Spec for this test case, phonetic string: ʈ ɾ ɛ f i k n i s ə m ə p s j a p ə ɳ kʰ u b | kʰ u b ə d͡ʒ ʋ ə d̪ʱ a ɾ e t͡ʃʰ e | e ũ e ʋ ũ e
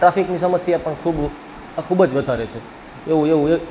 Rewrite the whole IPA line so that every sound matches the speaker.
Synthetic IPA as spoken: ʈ ɾ a f i k n i s ə m ə s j a p ə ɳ kʰ u b | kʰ u b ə d͡ʒ ʋ ə d̪ʱ a ɾ e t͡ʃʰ e | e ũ e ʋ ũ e